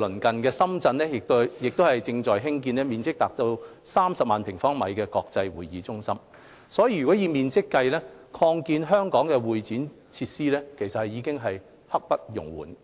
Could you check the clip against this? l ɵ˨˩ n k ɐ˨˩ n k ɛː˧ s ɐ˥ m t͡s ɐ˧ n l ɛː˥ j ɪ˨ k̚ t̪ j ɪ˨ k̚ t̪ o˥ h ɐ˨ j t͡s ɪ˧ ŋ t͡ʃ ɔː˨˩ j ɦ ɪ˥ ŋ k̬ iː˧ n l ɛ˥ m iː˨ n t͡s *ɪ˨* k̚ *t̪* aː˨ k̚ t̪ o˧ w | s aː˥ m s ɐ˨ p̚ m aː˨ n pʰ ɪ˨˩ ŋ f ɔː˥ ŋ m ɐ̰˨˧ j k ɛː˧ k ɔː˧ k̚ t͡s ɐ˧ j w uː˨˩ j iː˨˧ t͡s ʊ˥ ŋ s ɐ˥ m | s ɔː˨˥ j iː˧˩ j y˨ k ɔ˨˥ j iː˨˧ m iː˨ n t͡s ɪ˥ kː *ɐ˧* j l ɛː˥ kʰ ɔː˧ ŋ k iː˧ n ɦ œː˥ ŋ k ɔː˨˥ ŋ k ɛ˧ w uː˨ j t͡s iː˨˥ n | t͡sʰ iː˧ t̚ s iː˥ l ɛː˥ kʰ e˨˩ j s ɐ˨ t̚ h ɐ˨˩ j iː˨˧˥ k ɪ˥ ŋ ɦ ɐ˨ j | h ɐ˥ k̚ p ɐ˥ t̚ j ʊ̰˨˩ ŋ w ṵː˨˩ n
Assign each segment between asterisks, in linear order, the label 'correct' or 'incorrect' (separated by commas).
incorrect, correct, correct